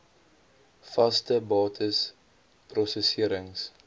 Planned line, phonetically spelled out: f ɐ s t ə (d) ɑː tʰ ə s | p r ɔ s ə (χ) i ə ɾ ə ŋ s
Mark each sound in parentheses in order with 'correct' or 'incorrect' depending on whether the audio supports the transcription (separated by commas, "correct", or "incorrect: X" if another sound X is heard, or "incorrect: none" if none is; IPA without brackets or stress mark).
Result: incorrect: b, incorrect: s